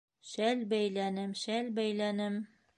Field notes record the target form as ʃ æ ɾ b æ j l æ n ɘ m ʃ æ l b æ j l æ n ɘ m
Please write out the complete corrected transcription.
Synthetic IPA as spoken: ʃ æ l b æ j l æ n ɘ m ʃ æ l b æ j l æ n ɘ m